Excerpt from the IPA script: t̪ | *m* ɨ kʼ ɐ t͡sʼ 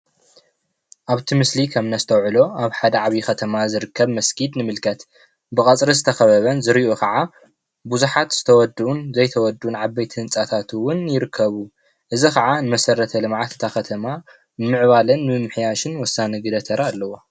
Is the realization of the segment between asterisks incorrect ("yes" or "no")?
yes